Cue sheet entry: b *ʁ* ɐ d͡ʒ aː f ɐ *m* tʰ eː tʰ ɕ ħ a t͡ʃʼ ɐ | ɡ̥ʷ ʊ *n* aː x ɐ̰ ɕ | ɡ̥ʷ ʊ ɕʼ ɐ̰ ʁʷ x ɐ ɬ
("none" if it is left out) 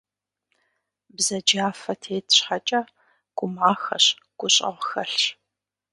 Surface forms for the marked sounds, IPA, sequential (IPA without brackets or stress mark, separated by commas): z, none, m